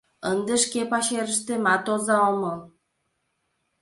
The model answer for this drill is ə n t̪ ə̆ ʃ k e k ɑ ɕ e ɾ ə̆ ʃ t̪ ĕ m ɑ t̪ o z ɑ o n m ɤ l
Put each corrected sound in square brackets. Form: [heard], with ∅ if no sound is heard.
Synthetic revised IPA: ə n [d̪] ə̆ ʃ k e [p] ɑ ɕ e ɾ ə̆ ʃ t̪ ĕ m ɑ t̪ o z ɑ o [∅] m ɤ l